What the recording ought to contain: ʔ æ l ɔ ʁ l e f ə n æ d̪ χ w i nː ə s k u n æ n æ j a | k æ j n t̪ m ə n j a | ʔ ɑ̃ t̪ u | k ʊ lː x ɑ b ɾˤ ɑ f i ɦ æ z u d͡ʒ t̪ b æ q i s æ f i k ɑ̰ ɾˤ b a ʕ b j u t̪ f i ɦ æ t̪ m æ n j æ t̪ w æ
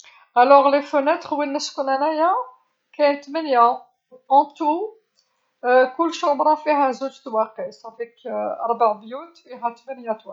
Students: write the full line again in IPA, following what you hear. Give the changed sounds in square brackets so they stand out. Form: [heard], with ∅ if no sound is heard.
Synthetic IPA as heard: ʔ æ l ɔ ʁ l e f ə n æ [t̪] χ w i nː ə s k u n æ n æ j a | k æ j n t̪ m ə n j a | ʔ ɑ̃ t̪ u | k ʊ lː [ʃ] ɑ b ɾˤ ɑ f i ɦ æ z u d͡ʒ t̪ [w] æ q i s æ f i k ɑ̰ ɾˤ b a ʕ b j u t̪ f i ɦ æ t̪ m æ n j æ t̪ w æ